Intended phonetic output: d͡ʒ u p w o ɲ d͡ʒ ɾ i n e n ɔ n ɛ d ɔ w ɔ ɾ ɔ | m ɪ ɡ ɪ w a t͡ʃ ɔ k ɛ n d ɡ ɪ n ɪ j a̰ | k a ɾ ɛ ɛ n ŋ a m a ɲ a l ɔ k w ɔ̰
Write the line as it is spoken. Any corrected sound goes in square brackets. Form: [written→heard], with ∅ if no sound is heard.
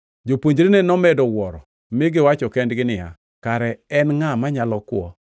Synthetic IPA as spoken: d͡ʒ [u→o] p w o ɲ d͡ʒ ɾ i n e n ɔ [n→m] ɛ d ɔ w ɔ ɾ ɔ | m ɪ ɡ ɪ w a t͡ʃ ɔ k ɛ n d ɡ ɪ n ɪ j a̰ | k a ɾ ɛ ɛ n ŋ a m a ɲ a l ɔ k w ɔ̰